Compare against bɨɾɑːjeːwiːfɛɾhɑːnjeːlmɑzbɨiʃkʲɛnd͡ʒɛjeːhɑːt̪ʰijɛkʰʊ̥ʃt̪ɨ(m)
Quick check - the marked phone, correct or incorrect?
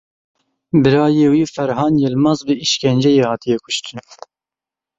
incorrect